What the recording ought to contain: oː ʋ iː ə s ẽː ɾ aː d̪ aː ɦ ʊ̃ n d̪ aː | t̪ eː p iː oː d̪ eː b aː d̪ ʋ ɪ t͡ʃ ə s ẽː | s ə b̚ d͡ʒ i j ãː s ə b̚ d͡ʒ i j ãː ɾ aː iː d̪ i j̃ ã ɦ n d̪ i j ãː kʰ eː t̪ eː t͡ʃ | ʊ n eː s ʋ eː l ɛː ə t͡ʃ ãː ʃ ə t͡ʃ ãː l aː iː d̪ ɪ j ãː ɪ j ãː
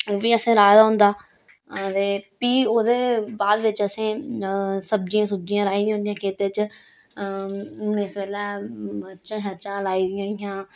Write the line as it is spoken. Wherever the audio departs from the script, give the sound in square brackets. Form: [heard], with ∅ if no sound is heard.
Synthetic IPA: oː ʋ iː ə s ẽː ɾ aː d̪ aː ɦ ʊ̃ n d̪ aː | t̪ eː p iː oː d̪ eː b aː d̪ ʋ ɪ t͡ʃ ə s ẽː | s ə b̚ d͡ʒ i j ãː s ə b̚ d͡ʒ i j ãː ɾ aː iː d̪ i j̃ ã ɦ n d̪ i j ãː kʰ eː t̪ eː t͡ʃ | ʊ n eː s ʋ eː l ɛː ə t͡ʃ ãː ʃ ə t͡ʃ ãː l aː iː d̪ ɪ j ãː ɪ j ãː